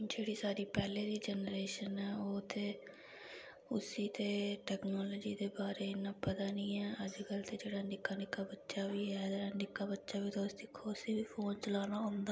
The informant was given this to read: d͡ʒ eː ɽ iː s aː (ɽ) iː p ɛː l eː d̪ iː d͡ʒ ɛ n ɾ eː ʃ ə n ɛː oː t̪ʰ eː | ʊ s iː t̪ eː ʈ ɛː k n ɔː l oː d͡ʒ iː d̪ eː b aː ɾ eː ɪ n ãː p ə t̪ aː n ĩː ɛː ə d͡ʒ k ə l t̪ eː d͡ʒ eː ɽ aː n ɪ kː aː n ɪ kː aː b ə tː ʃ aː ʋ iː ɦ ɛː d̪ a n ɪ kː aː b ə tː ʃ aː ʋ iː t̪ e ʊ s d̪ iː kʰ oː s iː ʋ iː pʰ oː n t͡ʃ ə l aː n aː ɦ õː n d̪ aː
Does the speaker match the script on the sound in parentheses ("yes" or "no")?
no